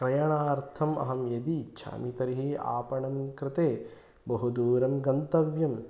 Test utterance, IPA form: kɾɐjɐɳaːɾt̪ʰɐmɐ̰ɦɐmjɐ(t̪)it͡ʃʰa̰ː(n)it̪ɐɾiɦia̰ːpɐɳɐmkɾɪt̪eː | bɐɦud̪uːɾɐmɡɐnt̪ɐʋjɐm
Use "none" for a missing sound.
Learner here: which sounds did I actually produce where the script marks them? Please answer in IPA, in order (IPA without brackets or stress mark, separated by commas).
d̪, m